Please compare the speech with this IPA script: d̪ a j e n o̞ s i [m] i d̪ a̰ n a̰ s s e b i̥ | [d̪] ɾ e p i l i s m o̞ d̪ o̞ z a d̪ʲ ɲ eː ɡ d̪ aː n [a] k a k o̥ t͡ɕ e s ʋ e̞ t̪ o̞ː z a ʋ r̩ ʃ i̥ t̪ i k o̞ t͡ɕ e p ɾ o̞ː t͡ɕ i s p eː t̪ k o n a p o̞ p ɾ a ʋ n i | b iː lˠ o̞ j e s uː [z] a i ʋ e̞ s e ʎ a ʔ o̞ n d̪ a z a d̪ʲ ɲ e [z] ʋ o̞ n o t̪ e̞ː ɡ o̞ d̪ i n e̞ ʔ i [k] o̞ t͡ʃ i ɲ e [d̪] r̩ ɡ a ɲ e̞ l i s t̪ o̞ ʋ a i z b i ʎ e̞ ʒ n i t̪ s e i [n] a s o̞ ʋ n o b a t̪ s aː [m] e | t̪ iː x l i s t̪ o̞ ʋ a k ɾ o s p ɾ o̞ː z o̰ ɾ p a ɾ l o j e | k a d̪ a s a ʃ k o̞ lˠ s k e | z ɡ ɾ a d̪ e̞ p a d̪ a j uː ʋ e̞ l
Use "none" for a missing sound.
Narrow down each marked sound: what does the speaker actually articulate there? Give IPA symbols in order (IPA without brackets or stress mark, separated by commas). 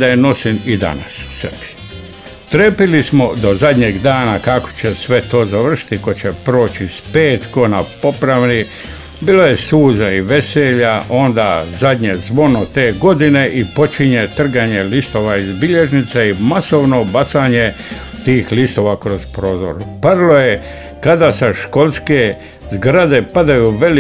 n, t̪, a, z, z, p, t̪, m, ɲ